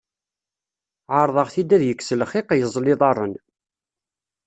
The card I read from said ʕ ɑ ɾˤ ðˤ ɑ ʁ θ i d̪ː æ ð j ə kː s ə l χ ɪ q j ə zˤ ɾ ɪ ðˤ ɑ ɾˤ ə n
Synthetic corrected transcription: ʕ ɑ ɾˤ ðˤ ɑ ʁ θ i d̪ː æ ð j ə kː s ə l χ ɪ q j ə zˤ l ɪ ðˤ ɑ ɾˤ ə n